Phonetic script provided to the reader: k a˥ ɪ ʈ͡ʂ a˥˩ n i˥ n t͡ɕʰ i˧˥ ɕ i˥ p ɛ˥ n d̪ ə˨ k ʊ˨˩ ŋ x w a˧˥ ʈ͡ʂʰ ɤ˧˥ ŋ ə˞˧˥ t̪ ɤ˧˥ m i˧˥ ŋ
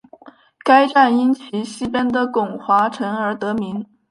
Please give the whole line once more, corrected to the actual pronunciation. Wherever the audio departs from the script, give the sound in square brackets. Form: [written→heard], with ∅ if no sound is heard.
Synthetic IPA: k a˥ ɪ ʈ͡ʂ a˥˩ n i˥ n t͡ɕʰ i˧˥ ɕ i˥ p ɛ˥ n d̪ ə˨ k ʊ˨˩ ŋ x w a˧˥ ʈ͡ʂʰ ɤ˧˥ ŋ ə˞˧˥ t̪ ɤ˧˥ m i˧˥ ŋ

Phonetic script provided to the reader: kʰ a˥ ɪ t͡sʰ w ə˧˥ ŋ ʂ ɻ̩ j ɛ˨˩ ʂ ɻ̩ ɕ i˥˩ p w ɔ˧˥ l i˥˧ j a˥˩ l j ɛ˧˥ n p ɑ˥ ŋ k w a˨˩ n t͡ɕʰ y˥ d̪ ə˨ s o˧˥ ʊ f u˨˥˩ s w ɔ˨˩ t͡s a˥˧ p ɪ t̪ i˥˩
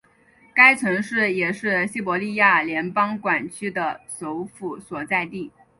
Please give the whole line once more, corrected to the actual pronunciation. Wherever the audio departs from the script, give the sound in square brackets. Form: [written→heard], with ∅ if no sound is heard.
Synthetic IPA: [kʰ→k] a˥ ɪ t͡sʰ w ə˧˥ ŋ ʂ ɻ̩ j ɛ˨˩ ʂ ɻ̩ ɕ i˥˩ p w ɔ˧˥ l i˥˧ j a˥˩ l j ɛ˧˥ n p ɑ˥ ŋ k w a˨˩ n t͡ɕʰ y˥ d̪ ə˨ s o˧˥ ʊ f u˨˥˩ s w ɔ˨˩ t͡s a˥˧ [p→∅] ɪ t̪ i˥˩

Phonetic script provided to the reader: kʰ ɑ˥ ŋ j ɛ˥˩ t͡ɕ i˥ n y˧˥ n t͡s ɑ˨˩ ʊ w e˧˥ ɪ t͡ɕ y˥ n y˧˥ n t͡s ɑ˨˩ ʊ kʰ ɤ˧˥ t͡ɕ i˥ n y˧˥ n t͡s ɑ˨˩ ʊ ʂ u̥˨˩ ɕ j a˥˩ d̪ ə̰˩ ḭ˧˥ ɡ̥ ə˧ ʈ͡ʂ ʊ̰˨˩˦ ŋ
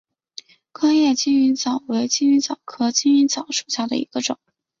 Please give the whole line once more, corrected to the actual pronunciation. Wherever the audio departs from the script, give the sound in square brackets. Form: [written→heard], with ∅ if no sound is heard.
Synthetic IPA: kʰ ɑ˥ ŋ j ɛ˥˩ t͡ɕ i˥ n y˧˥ n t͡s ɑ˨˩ ʊ w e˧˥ ɪ t͡ɕ [y˥→i˥] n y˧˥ n t͡s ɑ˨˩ ʊ kʰ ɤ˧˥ t͡ɕ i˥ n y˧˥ n t͡s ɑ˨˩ ʊ ʂ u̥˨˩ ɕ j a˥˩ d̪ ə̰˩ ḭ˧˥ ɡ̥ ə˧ ʈ͡ʂ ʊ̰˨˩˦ ŋ

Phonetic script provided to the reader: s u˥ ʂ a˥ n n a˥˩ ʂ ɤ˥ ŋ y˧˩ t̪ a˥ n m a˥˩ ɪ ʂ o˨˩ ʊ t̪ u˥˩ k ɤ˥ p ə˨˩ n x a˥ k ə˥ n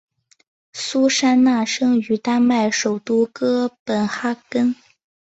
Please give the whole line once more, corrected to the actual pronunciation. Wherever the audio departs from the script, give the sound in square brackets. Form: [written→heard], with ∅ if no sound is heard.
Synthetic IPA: s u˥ ʂ a˥ n n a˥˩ ʂ ɤ˥ ŋ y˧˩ t̪ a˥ n m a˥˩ ɪ ʂ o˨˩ ʊ t̪ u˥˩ k ɤ˥ p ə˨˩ n x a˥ k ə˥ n

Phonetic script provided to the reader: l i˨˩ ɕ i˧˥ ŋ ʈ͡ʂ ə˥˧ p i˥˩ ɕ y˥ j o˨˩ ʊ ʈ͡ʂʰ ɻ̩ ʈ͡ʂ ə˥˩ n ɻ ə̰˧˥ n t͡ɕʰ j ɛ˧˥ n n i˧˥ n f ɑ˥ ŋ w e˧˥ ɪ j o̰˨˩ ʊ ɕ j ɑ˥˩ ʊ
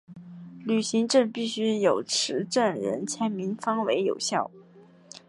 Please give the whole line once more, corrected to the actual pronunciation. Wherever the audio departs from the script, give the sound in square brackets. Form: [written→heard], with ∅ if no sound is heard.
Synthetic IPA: l [i˨˩→y˨˩] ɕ i˧˥ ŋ ʈ͡ʂ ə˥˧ p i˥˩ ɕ y˥ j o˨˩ ʊ ʈ͡ʂʰ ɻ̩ ʈ͡ʂ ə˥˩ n ɻ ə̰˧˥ n t͡ɕʰ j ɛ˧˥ n [n→m] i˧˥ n f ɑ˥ ŋ w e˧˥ ɪ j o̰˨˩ ʊ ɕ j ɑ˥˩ ʊ

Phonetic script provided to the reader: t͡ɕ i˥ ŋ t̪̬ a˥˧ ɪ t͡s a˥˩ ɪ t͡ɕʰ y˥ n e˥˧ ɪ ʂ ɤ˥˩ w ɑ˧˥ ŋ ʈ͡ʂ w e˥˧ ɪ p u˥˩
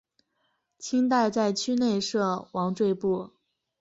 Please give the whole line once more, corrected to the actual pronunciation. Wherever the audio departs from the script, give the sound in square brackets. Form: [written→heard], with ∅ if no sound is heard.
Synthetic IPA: [t͡ɕ→t͡ɕʰ] i˥ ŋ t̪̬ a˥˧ ɪ t͡s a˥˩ ɪ t͡ɕʰ y˥ n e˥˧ ɪ ʂ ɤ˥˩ w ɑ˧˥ ŋ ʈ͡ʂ w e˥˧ ɪ p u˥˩

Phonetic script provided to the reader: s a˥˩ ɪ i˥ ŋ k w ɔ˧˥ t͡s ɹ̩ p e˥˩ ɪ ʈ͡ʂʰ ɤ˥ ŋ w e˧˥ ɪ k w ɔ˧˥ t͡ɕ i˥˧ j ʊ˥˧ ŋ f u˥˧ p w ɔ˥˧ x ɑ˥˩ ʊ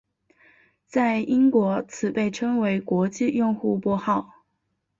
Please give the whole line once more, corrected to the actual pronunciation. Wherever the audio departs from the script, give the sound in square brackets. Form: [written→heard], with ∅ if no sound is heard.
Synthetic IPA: [s→t͡s] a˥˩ ɪ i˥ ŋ k w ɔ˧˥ [t͡s→t͡sʰ] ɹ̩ p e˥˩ ɪ ʈ͡ʂʰ ɤ˥ ŋ w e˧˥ ɪ k w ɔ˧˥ t͡ɕ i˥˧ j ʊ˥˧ ŋ [f→x] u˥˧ p w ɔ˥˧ x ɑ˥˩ ʊ

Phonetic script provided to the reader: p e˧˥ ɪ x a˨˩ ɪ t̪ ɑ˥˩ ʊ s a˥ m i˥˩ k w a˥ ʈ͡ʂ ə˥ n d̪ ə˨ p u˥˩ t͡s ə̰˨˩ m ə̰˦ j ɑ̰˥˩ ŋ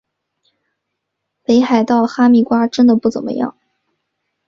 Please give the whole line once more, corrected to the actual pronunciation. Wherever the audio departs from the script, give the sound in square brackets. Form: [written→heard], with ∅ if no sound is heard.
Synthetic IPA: p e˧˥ ɪ x a˨˩ ɪ t̪ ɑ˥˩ ʊ [s→x] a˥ m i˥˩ k w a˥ ʈ͡ʂ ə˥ n d̪ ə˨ p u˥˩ t͡s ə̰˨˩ m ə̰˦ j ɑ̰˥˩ ŋ

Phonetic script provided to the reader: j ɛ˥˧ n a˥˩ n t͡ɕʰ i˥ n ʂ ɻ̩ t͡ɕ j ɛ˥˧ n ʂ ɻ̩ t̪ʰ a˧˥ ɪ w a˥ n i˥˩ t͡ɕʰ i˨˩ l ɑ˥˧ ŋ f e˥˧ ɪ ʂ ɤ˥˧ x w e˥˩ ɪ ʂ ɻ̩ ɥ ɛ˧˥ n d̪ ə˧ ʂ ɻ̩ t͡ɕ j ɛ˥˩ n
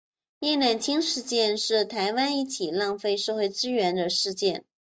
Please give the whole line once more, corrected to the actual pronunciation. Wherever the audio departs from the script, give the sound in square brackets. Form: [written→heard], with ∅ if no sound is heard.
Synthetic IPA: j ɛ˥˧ n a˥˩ n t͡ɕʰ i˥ [n→ŋ] ʂ ɻ̩ t͡ɕ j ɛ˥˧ n ʂ ɻ̩ t̪ʰ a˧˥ ɪ w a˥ n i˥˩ t͡ɕʰ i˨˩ l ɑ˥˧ ŋ f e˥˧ ɪ ʂ ɤ˥˧ x w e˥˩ ɪ [ʂ→ʈ͡ʂ] ɻ̩ ɥ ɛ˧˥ n d̪ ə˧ ʂ ɻ̩ t͡ɕ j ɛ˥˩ n

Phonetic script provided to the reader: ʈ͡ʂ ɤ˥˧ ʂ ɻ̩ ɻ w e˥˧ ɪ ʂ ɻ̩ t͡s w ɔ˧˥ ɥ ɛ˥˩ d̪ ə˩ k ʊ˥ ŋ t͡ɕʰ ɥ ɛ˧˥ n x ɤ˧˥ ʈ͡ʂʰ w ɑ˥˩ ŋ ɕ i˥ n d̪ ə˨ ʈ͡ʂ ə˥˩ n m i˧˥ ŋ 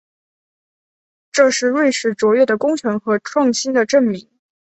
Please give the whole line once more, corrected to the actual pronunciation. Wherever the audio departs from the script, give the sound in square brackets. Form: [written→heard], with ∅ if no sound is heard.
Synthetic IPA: ʈ͡ʂ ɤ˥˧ ʂ ɻ̩ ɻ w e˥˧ ɪ ʂ ɻ̩ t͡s w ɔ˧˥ ɥ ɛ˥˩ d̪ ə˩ k ʊ˥ ŋ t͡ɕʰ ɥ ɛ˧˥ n x ɤ˧˥ ʈ͡ʂʰ w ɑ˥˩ ŋ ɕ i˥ n d̪ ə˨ ʈ͡ʂ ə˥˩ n m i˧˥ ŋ

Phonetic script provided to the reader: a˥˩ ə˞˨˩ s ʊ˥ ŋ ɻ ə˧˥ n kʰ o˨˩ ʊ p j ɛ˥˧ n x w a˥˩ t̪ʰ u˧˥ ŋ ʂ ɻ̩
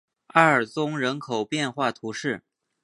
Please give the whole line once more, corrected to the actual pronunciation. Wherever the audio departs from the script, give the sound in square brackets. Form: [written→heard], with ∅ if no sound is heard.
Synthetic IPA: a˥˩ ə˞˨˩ [s→t͡s] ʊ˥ ŋ ɻ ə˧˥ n kʰ o˨˩ ʊ p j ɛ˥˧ n x w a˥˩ t̪ʰ u˧˥ [ŋ→∅] ʂ ɻ̩

